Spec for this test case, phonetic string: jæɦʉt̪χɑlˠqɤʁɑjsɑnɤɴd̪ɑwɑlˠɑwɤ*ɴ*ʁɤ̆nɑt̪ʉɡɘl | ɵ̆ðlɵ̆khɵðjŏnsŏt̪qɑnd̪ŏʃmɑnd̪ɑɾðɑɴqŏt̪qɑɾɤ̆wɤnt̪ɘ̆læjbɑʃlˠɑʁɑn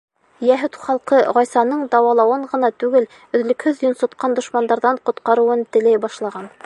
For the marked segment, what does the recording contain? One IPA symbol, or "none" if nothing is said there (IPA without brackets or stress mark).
ɴ